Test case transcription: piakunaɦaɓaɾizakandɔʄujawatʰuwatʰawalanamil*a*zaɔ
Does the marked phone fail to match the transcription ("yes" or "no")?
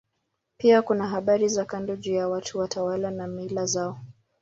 no